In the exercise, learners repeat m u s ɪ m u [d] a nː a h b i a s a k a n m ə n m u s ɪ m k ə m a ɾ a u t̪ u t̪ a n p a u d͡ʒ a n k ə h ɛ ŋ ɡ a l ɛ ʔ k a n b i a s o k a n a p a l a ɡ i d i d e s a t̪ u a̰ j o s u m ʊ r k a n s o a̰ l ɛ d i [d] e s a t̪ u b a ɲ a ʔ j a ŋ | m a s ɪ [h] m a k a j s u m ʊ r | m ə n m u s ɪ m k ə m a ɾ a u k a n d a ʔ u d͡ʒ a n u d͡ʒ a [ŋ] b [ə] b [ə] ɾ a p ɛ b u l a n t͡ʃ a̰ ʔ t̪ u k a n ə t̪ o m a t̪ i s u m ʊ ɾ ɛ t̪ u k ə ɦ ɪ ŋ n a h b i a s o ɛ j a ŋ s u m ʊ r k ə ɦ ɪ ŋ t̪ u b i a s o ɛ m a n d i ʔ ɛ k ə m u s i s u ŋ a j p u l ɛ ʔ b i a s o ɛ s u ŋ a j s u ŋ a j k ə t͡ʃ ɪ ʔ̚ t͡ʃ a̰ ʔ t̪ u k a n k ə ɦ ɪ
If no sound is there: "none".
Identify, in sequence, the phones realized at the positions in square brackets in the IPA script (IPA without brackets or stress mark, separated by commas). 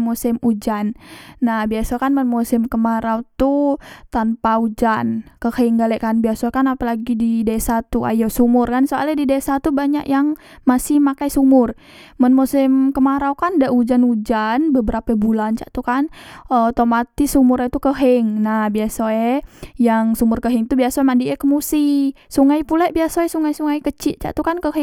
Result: d͡ʒ, d, h, n, ə, ə